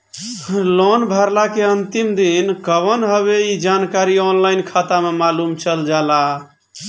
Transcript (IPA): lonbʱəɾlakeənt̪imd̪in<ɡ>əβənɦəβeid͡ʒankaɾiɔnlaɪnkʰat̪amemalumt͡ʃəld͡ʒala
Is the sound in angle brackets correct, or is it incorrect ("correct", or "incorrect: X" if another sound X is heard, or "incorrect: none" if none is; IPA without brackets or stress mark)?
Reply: incorrect: k